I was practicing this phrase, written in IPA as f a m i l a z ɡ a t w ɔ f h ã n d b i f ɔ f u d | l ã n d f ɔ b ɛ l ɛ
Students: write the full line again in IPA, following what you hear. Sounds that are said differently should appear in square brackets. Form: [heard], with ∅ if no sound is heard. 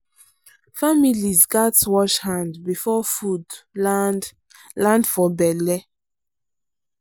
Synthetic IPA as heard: f a m i l [i] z ɡ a t w ɔ [ʃ] h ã n d b i f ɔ f u d | l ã n d f ɔ b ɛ l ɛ